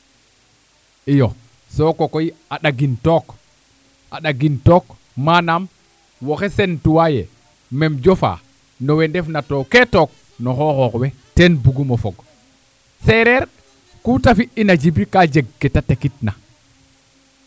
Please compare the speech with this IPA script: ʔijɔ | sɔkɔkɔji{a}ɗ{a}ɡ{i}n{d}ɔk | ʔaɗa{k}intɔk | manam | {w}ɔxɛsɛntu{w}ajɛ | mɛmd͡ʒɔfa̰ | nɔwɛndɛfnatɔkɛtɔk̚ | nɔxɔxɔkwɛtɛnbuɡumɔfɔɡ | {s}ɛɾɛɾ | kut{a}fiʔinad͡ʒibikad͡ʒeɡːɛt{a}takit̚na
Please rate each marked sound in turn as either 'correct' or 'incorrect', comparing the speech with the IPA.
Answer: correct, correct, correct, incorrect, incorrect, correct, correct, correct, correct, correct

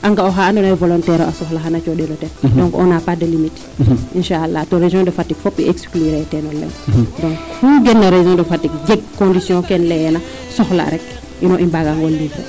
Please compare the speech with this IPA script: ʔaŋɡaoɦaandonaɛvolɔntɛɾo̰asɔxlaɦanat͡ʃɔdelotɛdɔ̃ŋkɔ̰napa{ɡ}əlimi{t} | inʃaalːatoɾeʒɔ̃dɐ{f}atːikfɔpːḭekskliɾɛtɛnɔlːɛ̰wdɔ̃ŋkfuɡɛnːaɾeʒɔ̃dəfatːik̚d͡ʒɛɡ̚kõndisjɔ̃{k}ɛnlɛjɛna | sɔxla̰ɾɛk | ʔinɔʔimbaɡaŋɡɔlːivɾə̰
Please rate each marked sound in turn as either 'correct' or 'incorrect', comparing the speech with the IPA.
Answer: incorrect, correct, correct, correct

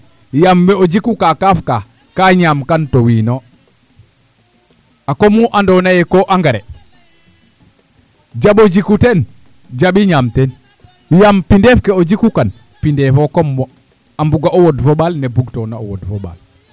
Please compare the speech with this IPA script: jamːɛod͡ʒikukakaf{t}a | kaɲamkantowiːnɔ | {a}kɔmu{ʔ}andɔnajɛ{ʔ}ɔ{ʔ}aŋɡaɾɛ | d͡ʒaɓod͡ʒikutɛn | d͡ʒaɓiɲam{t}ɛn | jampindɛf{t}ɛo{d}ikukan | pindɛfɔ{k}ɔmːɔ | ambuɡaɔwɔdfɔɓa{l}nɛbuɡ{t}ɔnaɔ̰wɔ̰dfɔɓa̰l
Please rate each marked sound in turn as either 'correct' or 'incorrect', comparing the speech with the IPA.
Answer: incorrect, correct, correct, incorrect, correct, correct, incorrect, incorrect, correct, correct, correct

